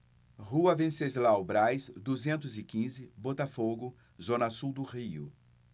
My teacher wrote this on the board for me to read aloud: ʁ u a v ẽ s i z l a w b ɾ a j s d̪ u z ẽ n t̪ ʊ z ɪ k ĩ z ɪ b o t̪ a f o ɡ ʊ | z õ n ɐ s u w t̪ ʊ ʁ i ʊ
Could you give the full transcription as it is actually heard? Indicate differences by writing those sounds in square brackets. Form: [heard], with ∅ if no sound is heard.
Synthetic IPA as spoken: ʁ u [ɐ] v ẽ s [e] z l a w b ɾ a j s d̪ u z ẽ n t̪ ʊ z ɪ k ĩ z ɪ b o t̪ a f o ɡ ʊ | z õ n ɐ s u w [d̪] ʊ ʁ i ʊ